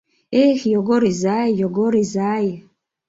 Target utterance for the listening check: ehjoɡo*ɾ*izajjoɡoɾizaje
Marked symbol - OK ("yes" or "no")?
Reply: yes